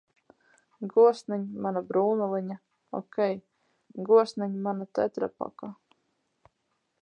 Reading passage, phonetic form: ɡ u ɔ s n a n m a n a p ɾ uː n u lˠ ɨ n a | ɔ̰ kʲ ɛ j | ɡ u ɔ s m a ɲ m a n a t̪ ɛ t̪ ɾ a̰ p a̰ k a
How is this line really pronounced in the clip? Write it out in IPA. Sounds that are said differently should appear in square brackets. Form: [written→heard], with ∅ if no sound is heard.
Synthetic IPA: ɡ u ɔ s n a [n→ɲ] m a n a [p→b] ɾ uː n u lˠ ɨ [n→ɲ] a | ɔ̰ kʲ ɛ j | ɡ u ɔ s [m→n] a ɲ m a n a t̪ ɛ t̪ ɾ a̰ p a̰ k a

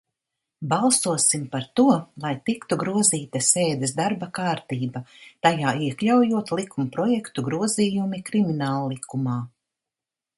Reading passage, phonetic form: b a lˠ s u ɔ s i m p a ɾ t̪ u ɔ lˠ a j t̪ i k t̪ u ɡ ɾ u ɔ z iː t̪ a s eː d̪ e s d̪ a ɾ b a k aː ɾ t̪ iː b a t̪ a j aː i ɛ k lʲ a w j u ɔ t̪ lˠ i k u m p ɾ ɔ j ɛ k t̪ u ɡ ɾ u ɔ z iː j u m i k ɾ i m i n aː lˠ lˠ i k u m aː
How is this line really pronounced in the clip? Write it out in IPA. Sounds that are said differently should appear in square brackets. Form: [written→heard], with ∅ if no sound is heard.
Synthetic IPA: b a lˠ s u ɔ s i m p a ɾ t̪ u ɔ lˠ a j t̪ i k t̪ u ɡ ɾ u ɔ z iː t̪ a s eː d̪ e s d̪ a ɾ b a k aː ɾ t̪ iː b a t̪ a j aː i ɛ k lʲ a w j u ɔ t̪ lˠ i k u m p ɾ ɔ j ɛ k t̪ u ɡ ɾ u ɔ z iː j u m i k ɾ i m i n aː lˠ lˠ i k u m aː

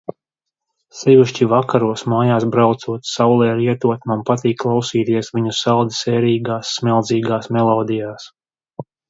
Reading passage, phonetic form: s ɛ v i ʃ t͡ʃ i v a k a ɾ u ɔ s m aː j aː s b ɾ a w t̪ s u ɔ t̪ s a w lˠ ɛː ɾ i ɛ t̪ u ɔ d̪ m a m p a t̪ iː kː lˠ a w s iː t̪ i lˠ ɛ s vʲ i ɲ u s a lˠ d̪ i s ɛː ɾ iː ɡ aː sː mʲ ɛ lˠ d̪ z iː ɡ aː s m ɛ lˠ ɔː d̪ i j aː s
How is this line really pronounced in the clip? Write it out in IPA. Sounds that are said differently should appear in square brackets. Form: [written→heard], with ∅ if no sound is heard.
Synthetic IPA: s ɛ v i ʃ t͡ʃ i v a k a ɾ u ɔ s m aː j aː s b ɾ a w t̪ s u ɔ t̪ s a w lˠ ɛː ɾ i ɛ t̪ u ɔ [d̪→t̪] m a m p a t̪ iː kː lˠ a w s iː t̪ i [lˠ→∅] ɛ s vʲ i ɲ u s a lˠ d̪ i s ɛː ɾ iː ɡ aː sː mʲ ɛ lˠ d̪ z iː ɡ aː s m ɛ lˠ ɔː d̪ i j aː s

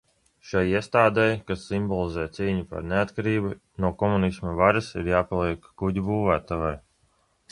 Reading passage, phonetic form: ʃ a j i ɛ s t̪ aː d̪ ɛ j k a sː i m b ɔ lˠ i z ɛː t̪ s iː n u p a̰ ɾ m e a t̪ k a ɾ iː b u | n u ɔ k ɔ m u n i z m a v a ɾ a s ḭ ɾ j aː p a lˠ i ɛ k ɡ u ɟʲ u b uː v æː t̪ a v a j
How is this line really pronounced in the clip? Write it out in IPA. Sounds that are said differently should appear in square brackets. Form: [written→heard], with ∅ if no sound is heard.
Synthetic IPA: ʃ a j i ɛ s t̪ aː d̪ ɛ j k a sː i m b ɔ lˠ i z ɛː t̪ s iː [n→ɲ] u p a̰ ɾ [m→n] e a t̪ k a ɾ iː b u | n u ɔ k ɔ m u n i [z→s] m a v a ɾ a s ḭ ɾ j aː p a lˠ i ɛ k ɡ u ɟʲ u b uː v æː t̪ a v a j

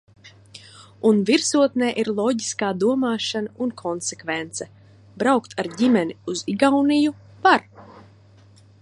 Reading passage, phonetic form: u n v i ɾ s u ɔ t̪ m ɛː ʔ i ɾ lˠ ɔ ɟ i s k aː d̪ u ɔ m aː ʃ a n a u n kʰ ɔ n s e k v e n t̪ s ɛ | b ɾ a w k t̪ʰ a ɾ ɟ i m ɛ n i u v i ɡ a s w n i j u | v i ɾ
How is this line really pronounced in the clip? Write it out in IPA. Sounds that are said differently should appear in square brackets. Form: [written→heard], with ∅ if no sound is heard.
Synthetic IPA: u n v i ɾ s u ɔ t̪ [m→n] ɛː ʔ i ɾ lˠ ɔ ɟ i s k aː d̪ u ɔ m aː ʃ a n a u n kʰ ɔ n s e k v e n t̪ s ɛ | b ɾ a w k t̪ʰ a ɾ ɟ i m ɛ n i u [v→z] i ɡ a [s→∅] w n i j u | v [i→a] ɾ

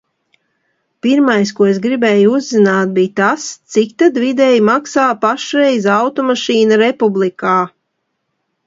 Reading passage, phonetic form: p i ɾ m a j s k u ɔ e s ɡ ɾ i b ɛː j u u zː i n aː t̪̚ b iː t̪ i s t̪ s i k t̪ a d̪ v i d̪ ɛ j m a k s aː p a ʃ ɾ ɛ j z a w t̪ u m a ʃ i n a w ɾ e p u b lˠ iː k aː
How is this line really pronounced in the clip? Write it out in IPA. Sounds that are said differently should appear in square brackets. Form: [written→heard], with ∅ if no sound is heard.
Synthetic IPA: p i ɾ m a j s k u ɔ e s ɡ ɾ i b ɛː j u u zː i n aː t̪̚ b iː t̪ [i→a] s t̪ s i k t̪ a d̪ v i d̪ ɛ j m a k s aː p a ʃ ɾ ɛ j z a w t̪ [u→ɔ] m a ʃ [i→iː] n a [w→∅] ɾ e p u b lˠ [iː→i] k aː

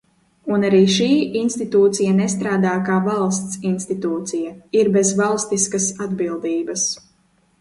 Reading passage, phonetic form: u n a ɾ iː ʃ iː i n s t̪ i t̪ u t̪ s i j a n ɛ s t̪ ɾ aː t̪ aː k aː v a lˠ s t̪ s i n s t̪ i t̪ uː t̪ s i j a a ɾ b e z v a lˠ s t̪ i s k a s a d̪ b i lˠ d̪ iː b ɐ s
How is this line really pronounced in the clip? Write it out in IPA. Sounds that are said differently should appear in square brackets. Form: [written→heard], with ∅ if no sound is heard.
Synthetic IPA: u n a ɾ iː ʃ iː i n s t̪ i t̪ [u→uː] t̪ s i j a n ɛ s t̪ ɾ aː [t̪→d̪] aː k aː v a lˠ s t̪ s i n s t̪ i t̪ uː t̪ s i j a [a→i] ɾ b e z v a lˠ s t̪ i s k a s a d̪ b i lˠ d̪ iː b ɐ s

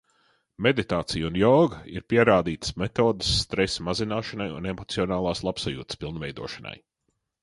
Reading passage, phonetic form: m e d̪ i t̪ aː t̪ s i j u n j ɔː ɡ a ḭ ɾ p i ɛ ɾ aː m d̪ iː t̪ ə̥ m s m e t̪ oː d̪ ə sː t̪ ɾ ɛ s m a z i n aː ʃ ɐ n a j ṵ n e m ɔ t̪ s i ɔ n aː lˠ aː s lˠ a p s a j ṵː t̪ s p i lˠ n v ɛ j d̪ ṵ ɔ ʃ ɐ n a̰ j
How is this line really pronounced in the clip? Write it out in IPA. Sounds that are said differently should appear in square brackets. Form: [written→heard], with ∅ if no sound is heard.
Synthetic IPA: m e d̪ i t̪ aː t̪ s i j u n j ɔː ɡ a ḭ ɾ p i ɛ ɾ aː [m→∅] d̪ iː t̪ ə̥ [m→∅] s m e t̪ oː d̪ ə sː t̪ ɾ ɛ s m a z i n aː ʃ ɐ n a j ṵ n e m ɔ t̪ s i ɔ n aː lˠ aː s lˠ a p s a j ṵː t̪ s p i lˠ n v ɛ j d̪ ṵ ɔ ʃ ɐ n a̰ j

